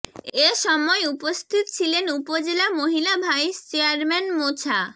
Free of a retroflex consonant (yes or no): yes